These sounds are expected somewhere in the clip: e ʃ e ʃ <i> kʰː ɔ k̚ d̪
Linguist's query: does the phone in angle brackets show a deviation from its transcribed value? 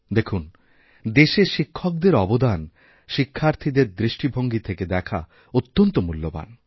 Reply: no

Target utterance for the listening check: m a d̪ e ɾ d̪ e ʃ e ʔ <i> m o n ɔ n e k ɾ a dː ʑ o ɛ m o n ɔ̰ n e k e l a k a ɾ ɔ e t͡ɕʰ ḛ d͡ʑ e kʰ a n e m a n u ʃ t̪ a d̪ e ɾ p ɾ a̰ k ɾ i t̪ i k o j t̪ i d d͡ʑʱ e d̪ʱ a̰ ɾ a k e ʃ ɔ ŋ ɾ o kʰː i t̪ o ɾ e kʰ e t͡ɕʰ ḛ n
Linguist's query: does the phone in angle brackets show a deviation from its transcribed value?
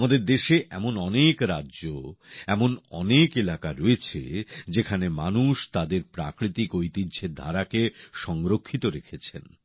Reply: yes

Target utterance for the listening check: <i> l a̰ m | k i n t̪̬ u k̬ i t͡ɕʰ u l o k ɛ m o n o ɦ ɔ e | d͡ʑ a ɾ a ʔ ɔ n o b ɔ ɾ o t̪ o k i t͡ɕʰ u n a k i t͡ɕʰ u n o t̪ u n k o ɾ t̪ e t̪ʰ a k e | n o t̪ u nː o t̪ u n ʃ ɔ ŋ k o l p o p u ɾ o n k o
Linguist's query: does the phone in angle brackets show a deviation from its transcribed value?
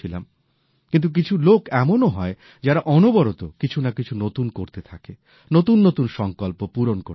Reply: no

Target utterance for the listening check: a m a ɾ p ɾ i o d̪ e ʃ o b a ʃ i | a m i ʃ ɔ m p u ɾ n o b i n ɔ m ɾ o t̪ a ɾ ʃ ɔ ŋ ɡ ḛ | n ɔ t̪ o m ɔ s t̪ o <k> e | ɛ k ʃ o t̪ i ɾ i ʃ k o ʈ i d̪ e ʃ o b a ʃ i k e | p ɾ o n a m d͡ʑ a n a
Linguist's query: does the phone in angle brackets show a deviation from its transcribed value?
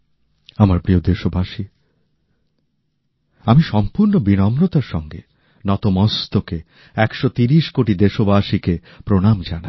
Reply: no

